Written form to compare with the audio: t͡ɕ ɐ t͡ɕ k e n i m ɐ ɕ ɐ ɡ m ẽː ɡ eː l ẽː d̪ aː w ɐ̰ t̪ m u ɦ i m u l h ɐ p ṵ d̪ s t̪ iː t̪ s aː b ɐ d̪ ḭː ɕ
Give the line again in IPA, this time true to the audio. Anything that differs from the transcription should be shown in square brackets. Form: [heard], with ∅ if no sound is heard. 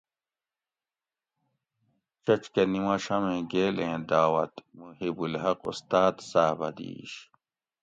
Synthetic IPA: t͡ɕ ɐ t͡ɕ k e n i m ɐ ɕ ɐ [∅] m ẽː ɡ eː l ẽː d̪ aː w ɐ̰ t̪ m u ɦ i [b] u l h ɐ [q] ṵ [∅] s t̪ [aː] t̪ s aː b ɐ d̪ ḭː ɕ

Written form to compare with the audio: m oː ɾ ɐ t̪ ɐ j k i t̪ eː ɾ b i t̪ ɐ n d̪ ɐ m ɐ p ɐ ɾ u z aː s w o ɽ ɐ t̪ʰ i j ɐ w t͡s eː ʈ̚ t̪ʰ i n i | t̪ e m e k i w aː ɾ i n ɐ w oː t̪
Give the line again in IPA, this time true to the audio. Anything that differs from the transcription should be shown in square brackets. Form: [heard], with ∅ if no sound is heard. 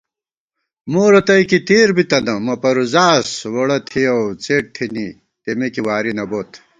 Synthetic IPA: m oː ɾ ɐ t̪ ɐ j k i t̪ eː ɾ b i t̪ ɐ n d̪ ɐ m ɐ p ɐ ɾ u z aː s w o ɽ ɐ t̪ʰ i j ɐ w t͡s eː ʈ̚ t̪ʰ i n i | t̪ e m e k i w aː ɾ i n ɐ [b] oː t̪

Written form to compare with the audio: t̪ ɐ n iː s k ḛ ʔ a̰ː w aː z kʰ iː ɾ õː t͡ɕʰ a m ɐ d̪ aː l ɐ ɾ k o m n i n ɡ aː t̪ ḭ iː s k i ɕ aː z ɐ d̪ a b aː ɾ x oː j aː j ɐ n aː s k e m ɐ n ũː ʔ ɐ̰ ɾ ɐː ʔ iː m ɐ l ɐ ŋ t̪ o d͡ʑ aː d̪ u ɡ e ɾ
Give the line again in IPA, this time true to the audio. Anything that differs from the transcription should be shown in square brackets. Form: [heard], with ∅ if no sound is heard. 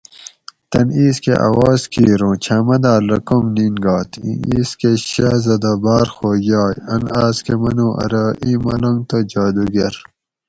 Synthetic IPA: t̪ ɐ n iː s k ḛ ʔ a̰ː w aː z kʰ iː ɾ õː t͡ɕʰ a m ɐ d̪ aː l ɐ [∅] k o m n i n ɡ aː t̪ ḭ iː s k [e] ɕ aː z ɐ d̪ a b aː ɾ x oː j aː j ɐ n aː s k e m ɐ n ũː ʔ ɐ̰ ɾ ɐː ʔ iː m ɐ l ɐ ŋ t̪ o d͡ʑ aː d̪ u ɡ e ɾ

